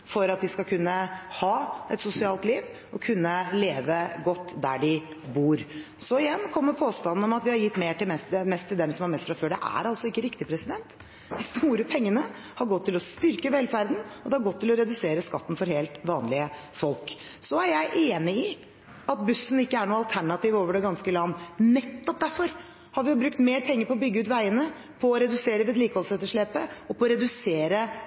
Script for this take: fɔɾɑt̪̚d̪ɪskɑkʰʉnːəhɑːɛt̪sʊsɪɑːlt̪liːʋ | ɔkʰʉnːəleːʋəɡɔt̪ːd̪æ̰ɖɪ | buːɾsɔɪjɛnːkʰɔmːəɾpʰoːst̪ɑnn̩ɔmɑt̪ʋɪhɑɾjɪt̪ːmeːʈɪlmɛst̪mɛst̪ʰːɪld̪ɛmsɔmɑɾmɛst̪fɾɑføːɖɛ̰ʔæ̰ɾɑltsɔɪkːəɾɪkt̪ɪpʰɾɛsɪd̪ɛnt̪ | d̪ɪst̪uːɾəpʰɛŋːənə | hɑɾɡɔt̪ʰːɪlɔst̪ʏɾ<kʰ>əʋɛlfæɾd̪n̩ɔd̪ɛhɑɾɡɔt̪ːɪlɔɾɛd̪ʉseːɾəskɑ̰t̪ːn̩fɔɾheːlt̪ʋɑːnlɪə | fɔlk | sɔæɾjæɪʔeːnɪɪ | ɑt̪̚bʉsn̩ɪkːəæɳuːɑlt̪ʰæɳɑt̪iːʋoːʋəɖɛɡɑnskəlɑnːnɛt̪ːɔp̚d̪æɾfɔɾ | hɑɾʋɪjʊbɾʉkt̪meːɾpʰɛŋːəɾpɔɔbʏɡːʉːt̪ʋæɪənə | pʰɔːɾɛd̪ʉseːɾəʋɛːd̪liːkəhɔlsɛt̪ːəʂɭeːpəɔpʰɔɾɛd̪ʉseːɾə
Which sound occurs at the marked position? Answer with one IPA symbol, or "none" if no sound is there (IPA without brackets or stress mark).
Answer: k